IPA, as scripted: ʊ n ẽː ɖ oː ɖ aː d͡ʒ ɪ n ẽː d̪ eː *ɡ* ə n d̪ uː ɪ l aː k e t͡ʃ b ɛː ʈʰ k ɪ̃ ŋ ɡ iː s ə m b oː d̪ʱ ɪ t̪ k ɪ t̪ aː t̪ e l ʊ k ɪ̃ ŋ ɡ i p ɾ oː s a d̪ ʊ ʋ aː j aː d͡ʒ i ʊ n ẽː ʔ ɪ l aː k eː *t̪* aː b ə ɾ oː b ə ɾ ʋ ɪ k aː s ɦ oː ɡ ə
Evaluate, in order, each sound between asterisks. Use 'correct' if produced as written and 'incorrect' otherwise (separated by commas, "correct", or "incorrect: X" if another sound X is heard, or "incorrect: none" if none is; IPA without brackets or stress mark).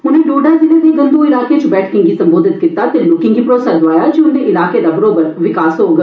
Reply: correct, incorrect: d̪